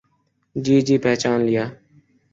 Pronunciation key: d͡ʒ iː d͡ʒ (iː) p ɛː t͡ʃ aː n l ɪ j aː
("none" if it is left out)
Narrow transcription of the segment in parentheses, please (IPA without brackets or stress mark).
iː